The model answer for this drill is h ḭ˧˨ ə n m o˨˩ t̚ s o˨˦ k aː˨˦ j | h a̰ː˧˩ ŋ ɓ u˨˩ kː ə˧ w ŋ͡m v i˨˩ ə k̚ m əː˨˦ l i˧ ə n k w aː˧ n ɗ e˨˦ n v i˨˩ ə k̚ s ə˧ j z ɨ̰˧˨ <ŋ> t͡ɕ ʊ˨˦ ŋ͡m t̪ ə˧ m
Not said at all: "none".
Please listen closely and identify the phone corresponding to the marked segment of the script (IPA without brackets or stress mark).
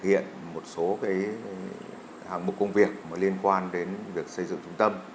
ŋ